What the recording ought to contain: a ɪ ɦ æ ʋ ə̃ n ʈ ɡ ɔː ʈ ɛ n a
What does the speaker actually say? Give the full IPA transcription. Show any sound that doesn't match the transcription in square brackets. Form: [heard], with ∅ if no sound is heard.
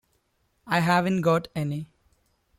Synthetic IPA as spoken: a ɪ ɦ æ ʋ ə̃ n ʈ ɡ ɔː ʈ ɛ n [i]

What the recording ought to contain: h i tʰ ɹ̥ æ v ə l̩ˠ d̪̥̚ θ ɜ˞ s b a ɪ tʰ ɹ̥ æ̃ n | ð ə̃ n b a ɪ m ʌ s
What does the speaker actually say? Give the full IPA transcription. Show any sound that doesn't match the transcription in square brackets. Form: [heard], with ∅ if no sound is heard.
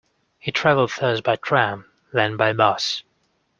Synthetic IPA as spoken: h i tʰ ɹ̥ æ v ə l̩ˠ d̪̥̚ θ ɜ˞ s b a ɪ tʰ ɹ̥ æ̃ [m] | ð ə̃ n b a ɪ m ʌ s

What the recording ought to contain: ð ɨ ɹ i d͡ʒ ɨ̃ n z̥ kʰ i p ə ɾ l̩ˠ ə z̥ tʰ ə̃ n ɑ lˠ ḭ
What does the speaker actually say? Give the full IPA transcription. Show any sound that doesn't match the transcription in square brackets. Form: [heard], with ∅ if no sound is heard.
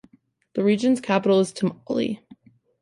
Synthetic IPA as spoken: ð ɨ ɹ i d͡ʒ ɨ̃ n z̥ kʰ [æ] p ə ɾ l̩ˠ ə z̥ tʰ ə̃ [m] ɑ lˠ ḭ

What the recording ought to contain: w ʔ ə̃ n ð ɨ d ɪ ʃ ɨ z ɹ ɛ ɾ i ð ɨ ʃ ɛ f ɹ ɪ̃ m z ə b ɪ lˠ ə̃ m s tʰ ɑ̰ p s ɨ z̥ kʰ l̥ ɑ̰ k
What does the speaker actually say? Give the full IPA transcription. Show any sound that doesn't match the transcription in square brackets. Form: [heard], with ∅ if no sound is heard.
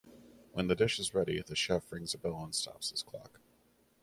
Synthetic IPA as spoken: w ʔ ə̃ n ð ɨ d ɪ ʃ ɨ z ɹ ɛ ɾ i ð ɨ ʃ ɛ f ɹ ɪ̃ [ŋ] z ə b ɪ lˠ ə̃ [n] s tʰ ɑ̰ p s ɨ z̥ kʰ l̥ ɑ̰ k

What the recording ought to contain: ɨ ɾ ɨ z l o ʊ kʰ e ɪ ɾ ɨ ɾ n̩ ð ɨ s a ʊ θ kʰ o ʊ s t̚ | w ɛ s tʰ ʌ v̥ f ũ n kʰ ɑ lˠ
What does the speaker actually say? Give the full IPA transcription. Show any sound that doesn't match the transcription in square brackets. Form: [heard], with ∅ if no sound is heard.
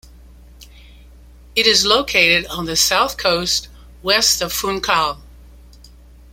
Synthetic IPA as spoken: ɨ ɾ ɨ z l o ʊ kʰ e ɪ ɾ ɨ ɾ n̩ ð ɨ s a ʊ θ kʰ o ʊ s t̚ | w ɛ s [t] ʌ v̥ f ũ n kʰ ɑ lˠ

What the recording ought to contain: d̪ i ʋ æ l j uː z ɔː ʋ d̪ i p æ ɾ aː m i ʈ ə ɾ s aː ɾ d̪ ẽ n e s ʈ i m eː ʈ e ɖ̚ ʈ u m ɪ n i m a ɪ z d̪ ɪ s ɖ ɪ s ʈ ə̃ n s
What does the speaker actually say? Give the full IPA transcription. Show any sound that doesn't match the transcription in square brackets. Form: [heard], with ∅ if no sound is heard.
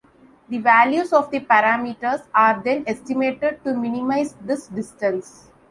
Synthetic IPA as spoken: d̪ i ʋ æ l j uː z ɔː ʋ d̪ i p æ ɾ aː m i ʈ ə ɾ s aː ɾ d̪ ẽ n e s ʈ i m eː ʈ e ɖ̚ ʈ u m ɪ n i m a ɪ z d̪ ɪ s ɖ ɪ s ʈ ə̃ n s

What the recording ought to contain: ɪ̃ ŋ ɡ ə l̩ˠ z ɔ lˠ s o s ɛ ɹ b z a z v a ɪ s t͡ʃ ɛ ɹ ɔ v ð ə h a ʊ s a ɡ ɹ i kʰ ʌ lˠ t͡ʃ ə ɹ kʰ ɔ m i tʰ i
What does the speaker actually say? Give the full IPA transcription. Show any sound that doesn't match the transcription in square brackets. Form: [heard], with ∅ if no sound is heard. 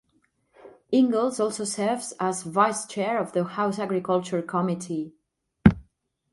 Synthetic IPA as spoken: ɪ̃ ŋ ɡ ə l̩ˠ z ɔ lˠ s o s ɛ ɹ [v] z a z v a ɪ s t͡ʃ ɛ ɹ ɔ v ð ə h a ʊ s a ɡ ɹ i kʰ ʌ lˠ t͡ʃ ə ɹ kʰ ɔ m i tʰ i

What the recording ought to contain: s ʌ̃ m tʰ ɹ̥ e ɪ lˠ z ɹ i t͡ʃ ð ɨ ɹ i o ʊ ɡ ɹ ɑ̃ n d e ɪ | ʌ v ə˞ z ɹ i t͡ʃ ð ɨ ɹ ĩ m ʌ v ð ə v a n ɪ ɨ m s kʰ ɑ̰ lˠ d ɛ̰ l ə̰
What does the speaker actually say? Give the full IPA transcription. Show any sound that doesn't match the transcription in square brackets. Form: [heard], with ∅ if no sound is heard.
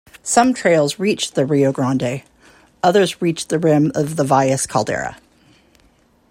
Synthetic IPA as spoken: s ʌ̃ m tʰ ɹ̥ e ɪ lˠ z ɹ i t͡ʃ ð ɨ ɹ i o ʊ ɡ ɹ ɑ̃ n d e ɪ | ʌ [ð] ə˞ z ɹ i t͡ʃ ð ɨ ɹ [ɪ̃] m ʌ v ð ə v a [∅] ɪ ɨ [∅] s kʰ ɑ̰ lˠ d ɛ̰ [ɹ] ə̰

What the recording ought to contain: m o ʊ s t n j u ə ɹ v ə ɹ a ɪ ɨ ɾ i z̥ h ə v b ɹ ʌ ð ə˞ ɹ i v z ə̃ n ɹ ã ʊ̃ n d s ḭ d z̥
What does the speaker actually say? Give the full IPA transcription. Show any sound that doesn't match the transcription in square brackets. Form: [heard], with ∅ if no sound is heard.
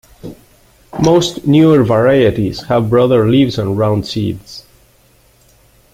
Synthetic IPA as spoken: m o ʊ s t n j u ə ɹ v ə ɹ a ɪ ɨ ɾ i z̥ h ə v b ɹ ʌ ð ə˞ [l] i v z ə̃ n ɹ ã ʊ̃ n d s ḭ d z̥

